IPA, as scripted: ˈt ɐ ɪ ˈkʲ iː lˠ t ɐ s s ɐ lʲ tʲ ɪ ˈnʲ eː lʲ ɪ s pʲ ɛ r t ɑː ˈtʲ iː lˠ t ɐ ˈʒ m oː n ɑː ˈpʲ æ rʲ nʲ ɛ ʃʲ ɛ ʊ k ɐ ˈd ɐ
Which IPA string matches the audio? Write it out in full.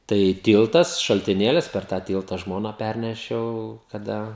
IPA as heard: ˈt ɐ ɪ ˈtʲ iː lˠ t ɐ s ʃ ɐ lʲ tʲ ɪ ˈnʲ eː lʲ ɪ s pʲ ɛ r t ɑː ˈtʲ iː lˠ t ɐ ˈʒ m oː n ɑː ˈpʲ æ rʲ nʲ ɛ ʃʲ ɛ ʊ k ɐ ˈd ɐ